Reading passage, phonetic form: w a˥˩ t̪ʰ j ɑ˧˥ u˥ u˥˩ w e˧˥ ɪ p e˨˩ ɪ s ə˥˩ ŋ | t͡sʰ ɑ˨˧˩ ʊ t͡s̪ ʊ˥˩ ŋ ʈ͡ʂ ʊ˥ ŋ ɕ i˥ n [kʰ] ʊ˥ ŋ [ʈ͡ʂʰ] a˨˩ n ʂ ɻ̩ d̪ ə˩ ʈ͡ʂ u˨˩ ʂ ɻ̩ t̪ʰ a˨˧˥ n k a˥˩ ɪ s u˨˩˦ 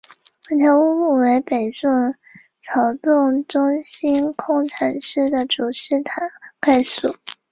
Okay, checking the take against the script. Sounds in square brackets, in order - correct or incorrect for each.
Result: correct, correct

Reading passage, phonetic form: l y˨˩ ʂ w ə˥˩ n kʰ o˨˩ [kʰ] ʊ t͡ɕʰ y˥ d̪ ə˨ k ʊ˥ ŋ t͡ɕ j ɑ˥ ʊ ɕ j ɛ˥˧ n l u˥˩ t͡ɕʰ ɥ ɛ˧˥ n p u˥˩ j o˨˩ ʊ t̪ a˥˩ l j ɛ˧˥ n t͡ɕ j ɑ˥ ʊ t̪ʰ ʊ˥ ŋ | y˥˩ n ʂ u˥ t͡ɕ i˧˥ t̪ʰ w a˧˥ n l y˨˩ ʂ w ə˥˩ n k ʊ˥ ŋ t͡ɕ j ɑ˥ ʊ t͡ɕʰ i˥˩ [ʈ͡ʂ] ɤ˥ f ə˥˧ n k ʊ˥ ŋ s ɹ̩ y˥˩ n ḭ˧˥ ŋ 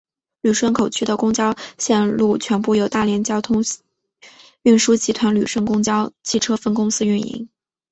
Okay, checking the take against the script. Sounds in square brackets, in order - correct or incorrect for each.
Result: incorrect, incorrect

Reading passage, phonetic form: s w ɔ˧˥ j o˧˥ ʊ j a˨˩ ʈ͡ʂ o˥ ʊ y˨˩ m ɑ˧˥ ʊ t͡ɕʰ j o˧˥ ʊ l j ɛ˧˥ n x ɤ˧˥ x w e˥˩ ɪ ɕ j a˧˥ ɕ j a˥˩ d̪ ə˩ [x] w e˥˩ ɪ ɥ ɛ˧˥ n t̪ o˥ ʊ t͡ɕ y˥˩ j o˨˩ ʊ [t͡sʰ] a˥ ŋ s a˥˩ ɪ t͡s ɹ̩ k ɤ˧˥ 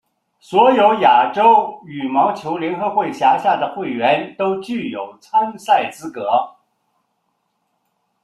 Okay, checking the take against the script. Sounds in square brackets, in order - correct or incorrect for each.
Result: correct, correct

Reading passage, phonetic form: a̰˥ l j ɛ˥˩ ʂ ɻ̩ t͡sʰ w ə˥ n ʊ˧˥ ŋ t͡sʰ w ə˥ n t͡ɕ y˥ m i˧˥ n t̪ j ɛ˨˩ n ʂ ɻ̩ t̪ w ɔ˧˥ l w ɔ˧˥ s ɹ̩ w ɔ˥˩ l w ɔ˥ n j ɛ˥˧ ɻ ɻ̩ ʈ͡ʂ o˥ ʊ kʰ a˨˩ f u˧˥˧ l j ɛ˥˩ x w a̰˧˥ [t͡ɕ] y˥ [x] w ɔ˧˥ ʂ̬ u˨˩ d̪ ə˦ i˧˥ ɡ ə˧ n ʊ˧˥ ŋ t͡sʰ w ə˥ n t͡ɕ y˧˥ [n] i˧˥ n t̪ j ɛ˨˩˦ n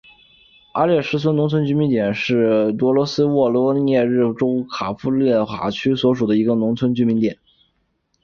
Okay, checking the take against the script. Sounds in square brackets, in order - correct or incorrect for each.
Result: incorrect, incorrect, incorrect

